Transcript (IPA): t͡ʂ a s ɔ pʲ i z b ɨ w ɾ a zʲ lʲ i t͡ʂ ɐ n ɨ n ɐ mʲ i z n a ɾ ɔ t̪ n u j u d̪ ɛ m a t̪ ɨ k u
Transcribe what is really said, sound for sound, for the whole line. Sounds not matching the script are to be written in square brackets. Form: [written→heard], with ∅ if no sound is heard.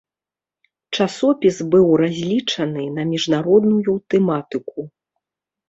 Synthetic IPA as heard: t͡ʂ a s ɔ pʲ i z b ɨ w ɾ a zʲ lʲ i t͡ʂ ɐ n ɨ n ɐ mʲ i [z→ʐ] n a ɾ ɔ [t̪→d̪] n u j u [d̪→t̪] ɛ m a t̪ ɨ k u